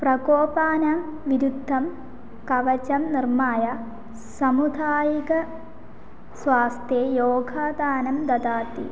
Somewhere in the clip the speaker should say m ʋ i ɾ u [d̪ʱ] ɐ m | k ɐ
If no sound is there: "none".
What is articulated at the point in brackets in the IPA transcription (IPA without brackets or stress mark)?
d̪ʱː